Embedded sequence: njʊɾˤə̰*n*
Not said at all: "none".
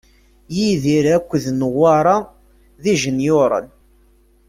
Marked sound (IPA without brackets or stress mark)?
n